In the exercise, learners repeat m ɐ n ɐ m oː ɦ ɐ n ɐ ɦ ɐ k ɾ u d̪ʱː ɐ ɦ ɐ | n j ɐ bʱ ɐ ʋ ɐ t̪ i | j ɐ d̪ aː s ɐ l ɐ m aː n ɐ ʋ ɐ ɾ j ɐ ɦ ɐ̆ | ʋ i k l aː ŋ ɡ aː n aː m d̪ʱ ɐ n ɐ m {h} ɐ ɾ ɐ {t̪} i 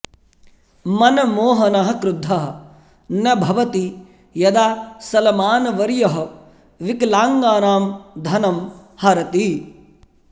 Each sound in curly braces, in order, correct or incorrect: correct, correct

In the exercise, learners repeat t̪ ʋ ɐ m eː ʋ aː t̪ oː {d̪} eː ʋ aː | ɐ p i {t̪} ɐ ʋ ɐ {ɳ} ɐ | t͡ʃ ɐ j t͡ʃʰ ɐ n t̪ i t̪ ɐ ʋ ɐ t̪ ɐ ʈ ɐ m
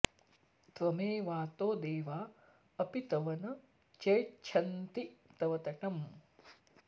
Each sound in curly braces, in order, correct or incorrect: correct, correct, incorrect: n

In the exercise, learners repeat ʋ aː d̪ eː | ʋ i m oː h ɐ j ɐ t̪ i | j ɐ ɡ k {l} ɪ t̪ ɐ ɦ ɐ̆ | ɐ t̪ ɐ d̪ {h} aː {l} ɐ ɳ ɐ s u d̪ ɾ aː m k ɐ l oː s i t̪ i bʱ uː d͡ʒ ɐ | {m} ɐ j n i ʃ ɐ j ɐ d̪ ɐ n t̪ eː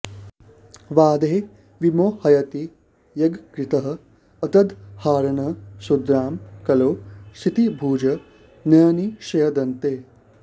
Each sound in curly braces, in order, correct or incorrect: incorrect: ɾ, correct, incorrect: ɾ, incorrect: n

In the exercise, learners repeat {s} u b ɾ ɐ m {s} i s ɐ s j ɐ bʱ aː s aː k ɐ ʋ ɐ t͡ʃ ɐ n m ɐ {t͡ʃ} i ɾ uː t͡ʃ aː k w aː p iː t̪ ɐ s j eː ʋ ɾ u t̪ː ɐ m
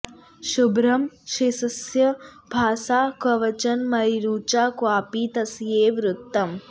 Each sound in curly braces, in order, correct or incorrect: incorrect: ʃ, incorrect: ʃ, incorrect: none

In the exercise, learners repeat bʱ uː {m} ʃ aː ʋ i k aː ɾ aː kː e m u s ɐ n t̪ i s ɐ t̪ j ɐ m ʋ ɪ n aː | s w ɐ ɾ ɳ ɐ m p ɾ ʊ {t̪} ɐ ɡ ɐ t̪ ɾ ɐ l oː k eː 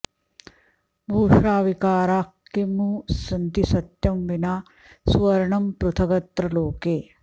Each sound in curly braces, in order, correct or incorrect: incorrect: none, incorrect: t̪ʰ

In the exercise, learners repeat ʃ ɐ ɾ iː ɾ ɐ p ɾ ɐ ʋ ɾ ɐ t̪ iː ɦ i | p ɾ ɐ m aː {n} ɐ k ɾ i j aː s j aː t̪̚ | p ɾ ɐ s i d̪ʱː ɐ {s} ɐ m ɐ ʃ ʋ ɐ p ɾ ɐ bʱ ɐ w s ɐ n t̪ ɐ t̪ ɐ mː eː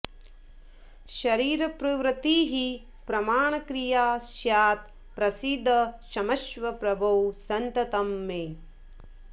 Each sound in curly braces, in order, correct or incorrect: incorrect: ɳ, incorrect: ʃ

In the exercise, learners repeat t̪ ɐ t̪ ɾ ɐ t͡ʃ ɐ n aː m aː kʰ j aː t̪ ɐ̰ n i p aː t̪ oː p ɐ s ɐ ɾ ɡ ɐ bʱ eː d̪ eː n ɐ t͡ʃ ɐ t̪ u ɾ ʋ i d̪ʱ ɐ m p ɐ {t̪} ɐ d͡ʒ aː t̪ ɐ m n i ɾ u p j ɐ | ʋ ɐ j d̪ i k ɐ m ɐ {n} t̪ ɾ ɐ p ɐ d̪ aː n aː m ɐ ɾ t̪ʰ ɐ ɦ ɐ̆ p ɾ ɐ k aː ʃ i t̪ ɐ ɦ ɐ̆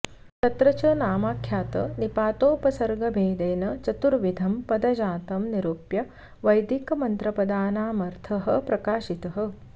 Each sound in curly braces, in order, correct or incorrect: incorrect: d̪, correct

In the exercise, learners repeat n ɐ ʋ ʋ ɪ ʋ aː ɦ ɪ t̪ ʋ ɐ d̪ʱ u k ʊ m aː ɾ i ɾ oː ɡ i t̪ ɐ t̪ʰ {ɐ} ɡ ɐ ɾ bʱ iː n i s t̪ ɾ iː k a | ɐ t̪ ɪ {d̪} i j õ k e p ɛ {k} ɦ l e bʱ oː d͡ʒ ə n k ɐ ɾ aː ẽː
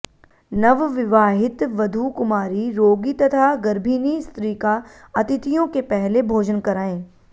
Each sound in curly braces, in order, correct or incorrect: incorrect: a, incorrect: t̪, incorrect: none

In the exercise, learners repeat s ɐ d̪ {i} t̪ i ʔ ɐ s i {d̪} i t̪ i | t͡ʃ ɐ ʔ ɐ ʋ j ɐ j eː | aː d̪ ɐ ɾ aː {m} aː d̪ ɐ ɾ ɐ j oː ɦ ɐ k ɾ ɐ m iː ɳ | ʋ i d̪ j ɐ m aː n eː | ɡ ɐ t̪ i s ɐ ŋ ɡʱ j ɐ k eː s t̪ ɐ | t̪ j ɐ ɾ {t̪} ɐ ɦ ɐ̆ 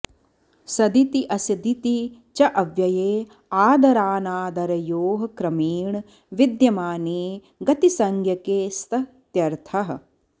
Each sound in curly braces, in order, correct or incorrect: correct, correct, incorrect: n, incorrect: t̪ʰ

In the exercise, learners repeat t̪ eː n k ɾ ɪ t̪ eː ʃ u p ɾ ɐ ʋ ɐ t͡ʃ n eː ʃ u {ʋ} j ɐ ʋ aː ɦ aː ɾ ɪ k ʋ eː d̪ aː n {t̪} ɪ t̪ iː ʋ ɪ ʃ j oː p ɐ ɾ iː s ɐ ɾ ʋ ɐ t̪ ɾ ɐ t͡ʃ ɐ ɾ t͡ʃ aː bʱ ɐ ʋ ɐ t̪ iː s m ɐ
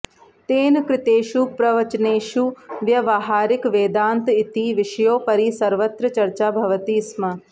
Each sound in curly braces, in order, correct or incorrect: correct, correct

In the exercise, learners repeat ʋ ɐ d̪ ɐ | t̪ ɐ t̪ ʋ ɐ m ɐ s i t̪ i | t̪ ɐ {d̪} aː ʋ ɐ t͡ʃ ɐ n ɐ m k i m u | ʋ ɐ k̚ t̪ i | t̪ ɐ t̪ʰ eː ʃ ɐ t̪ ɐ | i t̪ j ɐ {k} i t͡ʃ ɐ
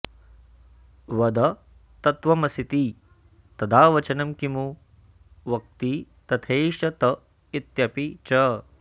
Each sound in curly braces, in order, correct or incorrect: correct, incorrect: p

